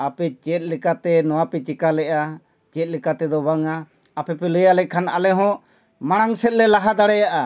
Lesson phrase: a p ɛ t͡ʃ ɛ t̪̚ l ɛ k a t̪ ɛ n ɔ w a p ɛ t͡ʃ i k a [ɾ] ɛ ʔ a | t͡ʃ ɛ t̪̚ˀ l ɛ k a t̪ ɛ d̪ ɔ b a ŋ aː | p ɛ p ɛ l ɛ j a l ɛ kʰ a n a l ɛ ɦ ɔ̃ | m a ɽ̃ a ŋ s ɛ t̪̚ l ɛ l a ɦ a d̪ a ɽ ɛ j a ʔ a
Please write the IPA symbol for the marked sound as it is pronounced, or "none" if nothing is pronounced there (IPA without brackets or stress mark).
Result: l